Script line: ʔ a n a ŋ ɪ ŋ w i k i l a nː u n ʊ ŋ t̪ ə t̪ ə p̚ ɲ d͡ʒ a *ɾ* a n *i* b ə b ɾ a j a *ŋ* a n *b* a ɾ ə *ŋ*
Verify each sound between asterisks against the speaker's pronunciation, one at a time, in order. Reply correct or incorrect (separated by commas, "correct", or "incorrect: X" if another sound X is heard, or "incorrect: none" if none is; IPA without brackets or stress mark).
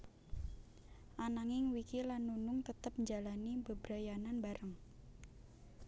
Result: incorrect: l, correct, incorrect: n, correct, correct